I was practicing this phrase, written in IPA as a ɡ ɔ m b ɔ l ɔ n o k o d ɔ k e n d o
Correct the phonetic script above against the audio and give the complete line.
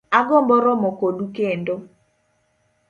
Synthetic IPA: a ɡ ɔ m b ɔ ɾ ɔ m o k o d u k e n d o